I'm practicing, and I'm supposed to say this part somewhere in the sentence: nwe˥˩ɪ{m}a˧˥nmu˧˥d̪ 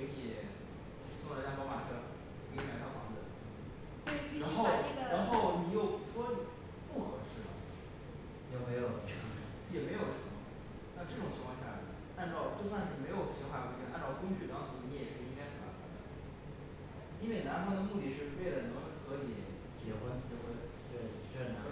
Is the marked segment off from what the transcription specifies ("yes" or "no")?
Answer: yes